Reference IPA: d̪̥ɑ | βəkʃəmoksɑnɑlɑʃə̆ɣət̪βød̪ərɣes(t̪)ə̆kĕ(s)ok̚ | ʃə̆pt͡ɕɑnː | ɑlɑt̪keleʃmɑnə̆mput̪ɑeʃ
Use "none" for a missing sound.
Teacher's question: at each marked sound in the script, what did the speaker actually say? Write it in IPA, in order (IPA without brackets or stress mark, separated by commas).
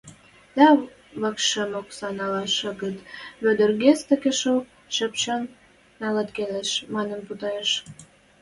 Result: t̪, ʃ